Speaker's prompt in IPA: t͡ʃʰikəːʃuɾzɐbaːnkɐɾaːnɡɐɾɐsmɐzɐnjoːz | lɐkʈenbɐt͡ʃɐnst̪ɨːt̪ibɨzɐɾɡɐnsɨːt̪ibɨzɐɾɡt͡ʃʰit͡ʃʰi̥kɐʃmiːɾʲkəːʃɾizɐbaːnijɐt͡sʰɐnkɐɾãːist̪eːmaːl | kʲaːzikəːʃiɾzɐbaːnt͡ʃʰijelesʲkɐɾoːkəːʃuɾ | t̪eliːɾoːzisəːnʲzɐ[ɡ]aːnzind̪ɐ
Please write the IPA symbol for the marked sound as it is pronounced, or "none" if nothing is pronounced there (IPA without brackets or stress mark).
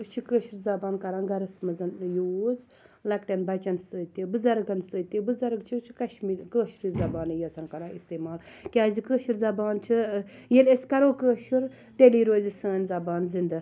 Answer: b